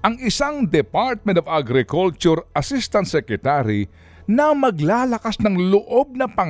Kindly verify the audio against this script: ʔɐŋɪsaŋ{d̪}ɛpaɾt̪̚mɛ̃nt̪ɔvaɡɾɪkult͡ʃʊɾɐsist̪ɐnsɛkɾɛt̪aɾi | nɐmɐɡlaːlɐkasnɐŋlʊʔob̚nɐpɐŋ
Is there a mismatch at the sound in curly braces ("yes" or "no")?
no